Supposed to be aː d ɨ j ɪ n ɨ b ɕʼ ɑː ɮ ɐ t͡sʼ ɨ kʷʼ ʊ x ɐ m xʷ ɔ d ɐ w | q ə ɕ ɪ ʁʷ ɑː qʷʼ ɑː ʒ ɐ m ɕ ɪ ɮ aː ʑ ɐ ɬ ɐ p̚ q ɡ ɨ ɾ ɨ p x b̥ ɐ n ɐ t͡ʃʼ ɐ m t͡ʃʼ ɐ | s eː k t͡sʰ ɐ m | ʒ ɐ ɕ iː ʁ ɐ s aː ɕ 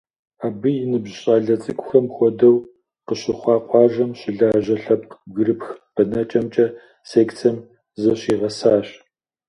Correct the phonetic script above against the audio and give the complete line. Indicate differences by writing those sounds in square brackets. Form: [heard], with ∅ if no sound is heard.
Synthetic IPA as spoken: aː [b] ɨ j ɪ n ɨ b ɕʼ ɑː ɮ ɐ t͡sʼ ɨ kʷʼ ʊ x ɐ m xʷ ɔ d ɐ w | q ə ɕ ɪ [χʷ] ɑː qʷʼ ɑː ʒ ɐ m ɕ ɪ ɮ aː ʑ ɐ ɬ ɐ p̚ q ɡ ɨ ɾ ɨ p x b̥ ɐ n ɐ t͡ʃʼ ɐ m t͡ʃʼ ɐ | s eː k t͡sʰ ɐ m | [z] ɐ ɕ iː ʁ ɐ s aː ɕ